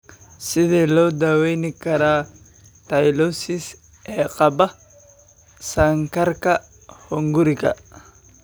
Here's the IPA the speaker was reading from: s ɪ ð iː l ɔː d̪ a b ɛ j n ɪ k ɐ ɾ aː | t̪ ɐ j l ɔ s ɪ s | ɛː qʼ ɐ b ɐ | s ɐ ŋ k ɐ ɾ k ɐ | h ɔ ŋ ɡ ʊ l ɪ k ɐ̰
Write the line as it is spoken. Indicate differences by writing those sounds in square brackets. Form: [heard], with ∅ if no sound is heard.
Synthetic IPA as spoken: s ɪ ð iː l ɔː d̪ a [w] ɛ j n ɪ k ɐ ɾ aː | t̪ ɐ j l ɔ s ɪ s | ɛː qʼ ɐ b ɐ | s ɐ ŋ k ɐ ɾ k ɐ | h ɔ ŋ ɡ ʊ [ɾ] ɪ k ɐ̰